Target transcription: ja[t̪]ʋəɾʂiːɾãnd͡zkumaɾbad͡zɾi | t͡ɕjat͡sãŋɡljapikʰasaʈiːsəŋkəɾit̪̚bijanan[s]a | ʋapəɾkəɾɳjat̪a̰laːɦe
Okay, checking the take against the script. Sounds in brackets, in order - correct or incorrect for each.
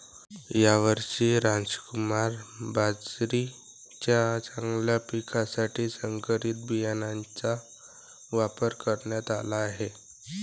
incorrect, incorrect

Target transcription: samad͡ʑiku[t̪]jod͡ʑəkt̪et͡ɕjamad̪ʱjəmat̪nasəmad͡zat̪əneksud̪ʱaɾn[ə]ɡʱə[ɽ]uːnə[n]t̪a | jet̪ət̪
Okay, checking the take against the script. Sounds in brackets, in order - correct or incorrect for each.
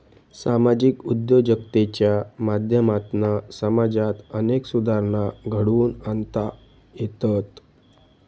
incorrect, incorrect, correct, correct

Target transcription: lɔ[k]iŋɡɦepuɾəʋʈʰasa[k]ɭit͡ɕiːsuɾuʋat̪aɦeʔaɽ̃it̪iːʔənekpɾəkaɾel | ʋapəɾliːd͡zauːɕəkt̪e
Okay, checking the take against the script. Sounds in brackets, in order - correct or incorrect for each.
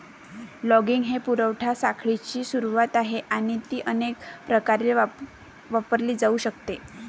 incorrect, incorrect

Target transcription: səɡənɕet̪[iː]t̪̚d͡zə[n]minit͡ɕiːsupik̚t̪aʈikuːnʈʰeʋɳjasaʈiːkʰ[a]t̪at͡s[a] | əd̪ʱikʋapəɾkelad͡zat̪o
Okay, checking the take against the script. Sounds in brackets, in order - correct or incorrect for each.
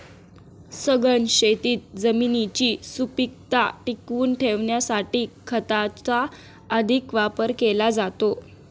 correct, incorrect, incorrect, correct

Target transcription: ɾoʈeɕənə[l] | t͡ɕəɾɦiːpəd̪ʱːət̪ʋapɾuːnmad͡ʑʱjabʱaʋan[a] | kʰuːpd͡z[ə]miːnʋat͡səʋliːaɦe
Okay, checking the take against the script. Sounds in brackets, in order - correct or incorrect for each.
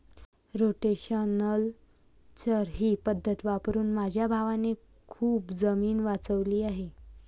correct, incorrect, correct

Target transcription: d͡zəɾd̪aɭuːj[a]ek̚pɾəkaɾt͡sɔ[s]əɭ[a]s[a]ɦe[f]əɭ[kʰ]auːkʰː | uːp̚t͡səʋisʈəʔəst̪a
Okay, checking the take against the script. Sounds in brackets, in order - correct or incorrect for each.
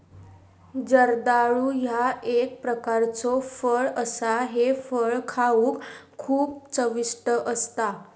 correct, incorrect, incorrect, correct, correct, correct

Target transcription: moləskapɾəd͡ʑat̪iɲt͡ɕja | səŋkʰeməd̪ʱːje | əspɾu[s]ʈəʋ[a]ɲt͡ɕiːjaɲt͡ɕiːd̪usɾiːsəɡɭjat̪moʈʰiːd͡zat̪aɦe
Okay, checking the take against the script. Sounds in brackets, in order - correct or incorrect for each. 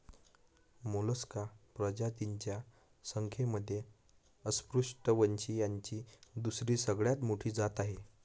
incorrect, incorrect

